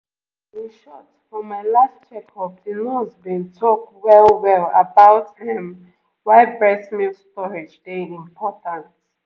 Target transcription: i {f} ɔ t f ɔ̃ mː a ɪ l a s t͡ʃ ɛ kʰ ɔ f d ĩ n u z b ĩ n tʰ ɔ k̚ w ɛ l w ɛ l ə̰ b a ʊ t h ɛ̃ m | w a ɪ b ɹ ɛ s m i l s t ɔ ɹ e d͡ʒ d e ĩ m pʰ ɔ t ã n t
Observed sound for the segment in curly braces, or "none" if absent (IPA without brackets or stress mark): ʃ